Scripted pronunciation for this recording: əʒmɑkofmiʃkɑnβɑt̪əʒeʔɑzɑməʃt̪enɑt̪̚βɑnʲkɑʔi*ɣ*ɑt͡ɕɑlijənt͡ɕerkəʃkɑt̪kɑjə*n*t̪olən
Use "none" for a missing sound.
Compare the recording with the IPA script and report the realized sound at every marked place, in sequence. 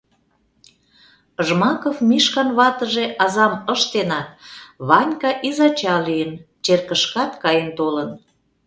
z, n

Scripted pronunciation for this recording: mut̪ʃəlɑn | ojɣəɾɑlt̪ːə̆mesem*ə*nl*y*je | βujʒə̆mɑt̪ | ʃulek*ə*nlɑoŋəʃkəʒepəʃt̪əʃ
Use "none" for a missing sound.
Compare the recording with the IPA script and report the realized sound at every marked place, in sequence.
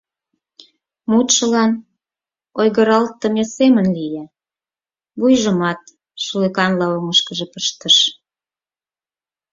ə, i, ɑ

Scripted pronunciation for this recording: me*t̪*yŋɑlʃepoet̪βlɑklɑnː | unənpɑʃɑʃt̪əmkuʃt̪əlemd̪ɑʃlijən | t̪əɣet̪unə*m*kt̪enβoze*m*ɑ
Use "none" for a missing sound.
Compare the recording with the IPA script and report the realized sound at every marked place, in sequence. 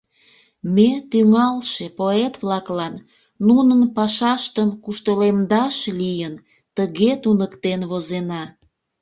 t̪, none, n

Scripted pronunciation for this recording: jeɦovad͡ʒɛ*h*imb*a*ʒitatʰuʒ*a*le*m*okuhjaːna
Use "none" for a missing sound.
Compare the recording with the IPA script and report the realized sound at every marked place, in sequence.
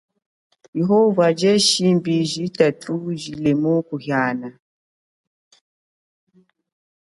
ʃ, i, i, m

